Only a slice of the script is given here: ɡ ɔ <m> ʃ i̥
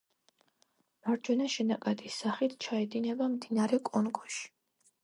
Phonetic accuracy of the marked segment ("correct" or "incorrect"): incorrect